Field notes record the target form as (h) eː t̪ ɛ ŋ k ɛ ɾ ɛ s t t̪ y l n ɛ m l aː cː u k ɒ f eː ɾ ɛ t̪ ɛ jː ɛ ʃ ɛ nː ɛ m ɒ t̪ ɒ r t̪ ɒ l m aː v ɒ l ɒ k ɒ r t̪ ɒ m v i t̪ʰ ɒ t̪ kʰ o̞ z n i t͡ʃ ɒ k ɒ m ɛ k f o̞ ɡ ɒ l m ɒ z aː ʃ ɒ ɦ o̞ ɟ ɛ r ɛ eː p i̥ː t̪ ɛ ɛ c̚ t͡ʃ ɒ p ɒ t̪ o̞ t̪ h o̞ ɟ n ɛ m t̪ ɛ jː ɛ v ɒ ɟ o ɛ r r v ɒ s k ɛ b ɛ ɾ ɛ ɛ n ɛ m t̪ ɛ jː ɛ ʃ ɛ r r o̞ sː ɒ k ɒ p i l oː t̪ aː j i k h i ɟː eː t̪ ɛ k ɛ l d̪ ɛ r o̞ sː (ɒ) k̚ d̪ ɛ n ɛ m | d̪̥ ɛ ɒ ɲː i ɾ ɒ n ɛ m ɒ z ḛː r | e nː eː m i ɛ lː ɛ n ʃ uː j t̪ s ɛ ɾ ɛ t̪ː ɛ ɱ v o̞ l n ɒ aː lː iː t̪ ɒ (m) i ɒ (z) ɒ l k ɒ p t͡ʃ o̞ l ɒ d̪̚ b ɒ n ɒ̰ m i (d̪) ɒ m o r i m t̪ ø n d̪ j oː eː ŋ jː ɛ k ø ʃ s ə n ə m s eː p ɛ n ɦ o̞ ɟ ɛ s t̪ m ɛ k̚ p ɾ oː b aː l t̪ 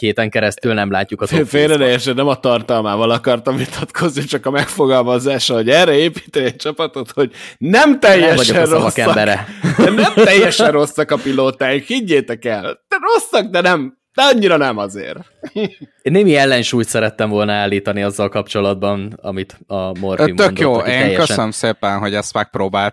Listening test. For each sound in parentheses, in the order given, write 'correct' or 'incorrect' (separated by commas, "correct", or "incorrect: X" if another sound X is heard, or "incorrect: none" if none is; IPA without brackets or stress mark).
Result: correct, correct, incorrect: n, incorrect: zː, incorrect: t̪